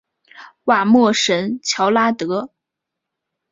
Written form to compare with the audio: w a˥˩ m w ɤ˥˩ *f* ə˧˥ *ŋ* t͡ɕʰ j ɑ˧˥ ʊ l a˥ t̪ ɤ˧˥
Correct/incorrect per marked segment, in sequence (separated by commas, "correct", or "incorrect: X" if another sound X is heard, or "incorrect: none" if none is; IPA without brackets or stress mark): incorrect: ʂ, incorrect: n